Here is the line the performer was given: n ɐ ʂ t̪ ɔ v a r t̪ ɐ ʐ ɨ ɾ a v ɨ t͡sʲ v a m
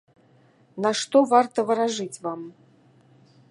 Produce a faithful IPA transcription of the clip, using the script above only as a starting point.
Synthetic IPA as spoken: n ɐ ʂ t̪ ɔ v a r t̪ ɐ v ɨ ɾ a ʐ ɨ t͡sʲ v a m